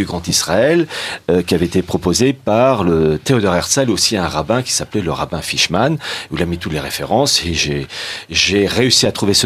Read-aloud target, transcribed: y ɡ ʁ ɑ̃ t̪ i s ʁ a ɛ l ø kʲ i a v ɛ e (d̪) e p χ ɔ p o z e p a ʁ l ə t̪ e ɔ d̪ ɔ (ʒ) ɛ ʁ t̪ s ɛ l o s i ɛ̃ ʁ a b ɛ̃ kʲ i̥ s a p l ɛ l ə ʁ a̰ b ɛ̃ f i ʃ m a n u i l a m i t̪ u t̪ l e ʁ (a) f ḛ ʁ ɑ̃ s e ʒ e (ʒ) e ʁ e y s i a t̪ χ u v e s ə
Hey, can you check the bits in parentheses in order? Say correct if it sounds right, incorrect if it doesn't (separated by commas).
incorrect, incorrect, incorrect, correct